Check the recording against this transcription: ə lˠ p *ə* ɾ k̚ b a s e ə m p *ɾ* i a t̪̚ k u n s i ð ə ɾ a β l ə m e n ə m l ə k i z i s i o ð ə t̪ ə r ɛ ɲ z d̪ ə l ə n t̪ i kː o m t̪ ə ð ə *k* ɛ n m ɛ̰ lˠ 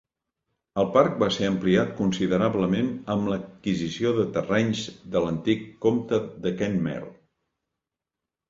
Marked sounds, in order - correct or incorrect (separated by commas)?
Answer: incorrect, incorrect, correct